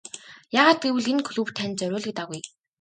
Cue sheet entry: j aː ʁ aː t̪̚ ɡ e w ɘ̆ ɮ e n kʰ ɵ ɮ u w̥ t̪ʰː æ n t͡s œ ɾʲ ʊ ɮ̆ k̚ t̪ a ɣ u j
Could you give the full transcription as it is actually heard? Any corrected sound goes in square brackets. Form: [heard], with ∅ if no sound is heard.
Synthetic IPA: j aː ʁ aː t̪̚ ɡ e w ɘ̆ ɮ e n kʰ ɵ ɮ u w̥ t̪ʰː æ n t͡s œ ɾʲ [ʊː] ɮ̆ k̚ t̪ a ɣ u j

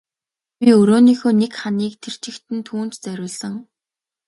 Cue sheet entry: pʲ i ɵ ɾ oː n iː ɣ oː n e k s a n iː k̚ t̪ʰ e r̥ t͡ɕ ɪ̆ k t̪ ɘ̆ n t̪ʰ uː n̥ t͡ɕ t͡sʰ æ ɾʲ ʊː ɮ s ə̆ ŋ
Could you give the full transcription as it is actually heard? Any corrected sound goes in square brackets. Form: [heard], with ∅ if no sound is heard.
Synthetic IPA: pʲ i ɵ ɾ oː n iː [x] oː n e k [χ] a n iː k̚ t̪ʰ e r̥ t͡ɕ ɪ̆ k t̪ ɘ̆ n t̪ʰ uː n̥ t͡ɕ [t͡s] æ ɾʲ ʊː ɮ s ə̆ ŋ

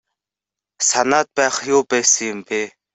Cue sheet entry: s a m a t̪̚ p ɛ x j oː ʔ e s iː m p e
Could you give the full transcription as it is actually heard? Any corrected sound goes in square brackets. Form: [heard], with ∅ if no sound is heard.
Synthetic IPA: s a [n] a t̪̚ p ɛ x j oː [p] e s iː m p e

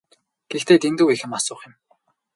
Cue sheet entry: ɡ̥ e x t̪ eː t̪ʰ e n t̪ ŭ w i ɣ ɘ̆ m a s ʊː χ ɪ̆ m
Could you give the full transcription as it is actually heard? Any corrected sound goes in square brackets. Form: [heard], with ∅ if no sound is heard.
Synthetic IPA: ɡ̥ e x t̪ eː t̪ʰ e n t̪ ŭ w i [x] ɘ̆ m a s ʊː χ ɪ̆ m

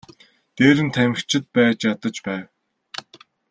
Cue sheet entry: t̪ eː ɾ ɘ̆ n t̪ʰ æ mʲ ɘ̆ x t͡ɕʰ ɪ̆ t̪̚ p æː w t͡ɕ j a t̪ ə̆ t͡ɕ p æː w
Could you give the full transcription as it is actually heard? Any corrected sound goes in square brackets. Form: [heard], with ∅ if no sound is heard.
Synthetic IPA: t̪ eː ɾ ɘ̆ n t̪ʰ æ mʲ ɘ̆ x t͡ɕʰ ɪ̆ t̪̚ p æː [∅] t͡ɕ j a t̪ ə̆ t͡ɕ p æː w

